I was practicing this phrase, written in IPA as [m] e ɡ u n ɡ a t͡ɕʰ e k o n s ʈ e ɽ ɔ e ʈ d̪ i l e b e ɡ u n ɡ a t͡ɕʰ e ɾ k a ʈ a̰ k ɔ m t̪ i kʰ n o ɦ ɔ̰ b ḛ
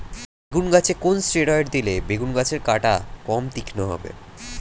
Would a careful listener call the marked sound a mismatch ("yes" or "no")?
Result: yes